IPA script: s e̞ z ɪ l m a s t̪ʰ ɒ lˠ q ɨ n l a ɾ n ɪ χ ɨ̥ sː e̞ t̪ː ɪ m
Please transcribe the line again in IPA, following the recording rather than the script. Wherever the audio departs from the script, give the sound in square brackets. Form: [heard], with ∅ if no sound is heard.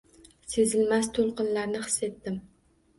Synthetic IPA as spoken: s e̞ z ɪ l m a s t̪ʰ [o] lˠ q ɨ n l a ɾ n ɪ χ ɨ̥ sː e̞ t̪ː ɪ m